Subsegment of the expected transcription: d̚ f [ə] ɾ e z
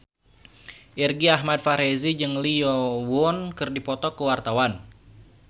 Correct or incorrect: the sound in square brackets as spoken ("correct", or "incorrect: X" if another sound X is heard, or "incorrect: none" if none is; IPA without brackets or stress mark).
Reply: incorrect: a